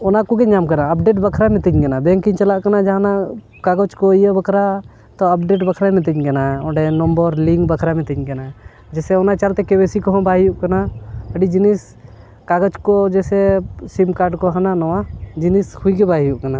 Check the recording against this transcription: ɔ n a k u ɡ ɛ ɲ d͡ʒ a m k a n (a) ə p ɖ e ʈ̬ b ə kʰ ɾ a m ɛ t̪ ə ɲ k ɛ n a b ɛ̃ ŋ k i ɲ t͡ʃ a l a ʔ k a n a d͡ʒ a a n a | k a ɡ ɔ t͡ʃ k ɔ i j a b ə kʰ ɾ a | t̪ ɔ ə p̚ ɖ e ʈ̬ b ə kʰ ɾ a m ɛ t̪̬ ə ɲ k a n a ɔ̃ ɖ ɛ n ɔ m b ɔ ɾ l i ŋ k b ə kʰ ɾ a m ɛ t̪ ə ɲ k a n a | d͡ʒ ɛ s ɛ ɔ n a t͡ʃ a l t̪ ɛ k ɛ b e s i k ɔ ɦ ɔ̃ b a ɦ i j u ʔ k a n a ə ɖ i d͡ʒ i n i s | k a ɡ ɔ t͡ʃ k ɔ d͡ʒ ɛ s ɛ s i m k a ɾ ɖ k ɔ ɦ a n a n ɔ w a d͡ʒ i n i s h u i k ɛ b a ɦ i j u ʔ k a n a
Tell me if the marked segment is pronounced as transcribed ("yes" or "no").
yes